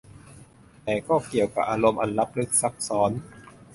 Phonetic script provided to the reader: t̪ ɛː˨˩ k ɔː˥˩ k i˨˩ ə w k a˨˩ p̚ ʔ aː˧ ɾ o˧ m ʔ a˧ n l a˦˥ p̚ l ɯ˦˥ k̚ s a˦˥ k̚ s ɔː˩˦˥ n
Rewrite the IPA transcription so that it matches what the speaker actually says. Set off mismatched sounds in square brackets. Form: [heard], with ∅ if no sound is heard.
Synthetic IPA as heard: t̪ ɛː˨˩ k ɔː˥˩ k i˨˩ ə w k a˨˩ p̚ ʔ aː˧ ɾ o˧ m ʔ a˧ n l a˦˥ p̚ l ɯ˦˥ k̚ s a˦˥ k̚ s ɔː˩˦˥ n